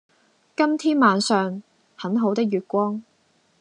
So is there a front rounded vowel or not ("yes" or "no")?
yes